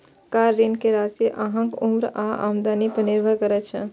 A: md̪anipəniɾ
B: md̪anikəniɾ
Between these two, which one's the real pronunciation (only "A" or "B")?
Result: A